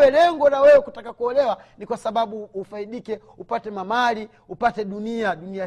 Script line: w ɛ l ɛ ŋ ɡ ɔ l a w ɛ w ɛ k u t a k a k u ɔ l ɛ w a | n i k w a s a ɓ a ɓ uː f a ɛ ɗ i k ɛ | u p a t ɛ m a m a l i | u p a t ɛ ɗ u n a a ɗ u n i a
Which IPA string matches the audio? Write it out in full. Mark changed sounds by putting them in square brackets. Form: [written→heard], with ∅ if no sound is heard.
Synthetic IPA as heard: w ɛ l ɛ ŋ ɡ ɔ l a w ɛ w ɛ k u t a k a k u ɔ l ɛ w a | n i k w a s a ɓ a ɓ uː f a [ɛ→i] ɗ i k ɛ | u p a t ɛ m a m a l i | u p a t ɛ ɗ u n [a→i] a ɗ u n i a